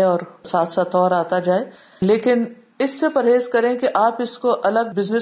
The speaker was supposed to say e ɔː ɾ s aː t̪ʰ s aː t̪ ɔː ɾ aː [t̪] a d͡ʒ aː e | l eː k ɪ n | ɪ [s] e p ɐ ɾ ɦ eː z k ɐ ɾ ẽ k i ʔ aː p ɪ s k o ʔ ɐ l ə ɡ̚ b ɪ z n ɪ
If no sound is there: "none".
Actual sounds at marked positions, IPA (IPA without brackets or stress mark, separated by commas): t̪, sː